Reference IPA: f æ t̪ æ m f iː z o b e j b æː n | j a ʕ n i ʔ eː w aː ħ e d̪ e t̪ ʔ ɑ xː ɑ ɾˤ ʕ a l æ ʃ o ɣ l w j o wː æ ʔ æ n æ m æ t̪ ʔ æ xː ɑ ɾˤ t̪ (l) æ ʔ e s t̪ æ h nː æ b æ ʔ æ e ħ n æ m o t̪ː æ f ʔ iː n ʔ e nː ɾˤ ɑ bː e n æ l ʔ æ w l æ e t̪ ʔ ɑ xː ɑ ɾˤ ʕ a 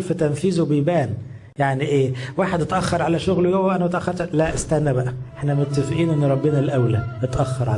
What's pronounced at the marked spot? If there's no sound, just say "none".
l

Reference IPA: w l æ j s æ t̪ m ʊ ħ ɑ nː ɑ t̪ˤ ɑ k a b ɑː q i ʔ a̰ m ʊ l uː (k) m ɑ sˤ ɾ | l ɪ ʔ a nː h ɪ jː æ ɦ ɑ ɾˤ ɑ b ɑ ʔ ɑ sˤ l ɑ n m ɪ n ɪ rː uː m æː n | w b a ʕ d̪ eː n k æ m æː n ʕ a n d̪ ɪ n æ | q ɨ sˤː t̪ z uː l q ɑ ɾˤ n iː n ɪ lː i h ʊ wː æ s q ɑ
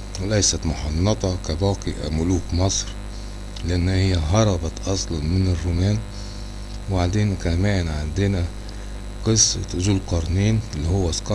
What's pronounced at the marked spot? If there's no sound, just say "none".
k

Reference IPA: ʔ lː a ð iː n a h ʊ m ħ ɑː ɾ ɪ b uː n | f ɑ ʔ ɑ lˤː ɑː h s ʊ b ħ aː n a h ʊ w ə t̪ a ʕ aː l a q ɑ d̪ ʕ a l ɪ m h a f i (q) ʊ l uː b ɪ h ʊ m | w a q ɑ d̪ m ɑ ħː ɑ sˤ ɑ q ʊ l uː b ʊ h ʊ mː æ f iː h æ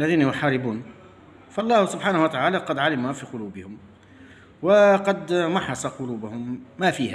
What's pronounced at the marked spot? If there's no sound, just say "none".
q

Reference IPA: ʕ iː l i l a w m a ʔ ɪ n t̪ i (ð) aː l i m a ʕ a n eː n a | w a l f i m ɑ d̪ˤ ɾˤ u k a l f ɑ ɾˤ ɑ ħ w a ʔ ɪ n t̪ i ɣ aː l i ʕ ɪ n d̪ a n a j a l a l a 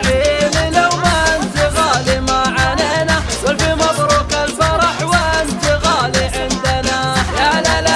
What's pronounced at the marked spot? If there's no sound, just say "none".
ɣ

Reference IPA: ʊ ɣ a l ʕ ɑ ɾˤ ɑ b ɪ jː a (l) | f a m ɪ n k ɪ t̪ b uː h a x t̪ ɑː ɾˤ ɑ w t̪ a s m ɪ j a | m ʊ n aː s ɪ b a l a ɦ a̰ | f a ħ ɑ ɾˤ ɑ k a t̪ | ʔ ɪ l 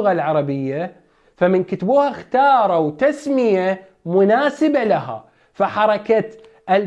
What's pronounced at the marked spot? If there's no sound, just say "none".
none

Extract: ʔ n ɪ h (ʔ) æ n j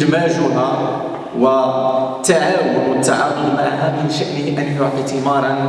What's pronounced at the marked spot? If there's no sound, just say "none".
ʔ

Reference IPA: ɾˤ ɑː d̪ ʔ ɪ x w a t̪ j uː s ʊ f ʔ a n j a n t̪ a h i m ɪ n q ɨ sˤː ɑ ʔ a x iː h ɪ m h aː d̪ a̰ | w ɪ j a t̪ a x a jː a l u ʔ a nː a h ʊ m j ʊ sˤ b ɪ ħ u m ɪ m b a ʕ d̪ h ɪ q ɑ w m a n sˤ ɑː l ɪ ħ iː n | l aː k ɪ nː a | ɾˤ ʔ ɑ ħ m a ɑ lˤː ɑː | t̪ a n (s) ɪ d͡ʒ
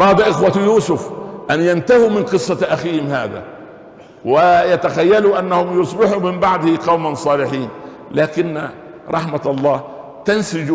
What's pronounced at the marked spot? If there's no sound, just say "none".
s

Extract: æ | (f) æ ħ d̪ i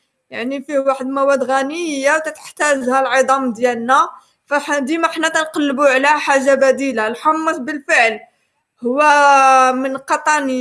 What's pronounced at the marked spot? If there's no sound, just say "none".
f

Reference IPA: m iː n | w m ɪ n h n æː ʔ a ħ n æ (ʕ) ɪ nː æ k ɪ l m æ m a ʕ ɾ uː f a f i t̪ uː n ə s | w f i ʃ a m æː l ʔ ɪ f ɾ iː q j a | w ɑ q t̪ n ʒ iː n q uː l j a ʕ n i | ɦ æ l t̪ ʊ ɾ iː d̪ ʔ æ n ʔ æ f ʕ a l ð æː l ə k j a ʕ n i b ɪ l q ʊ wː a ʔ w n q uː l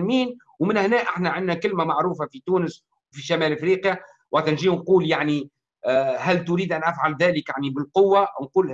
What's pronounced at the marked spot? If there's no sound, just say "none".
ʕ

